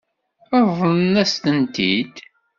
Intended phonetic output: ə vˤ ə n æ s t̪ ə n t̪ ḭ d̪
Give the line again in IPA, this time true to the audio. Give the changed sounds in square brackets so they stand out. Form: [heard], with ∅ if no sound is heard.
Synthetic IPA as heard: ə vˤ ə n æ s t̪ ə n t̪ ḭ d̪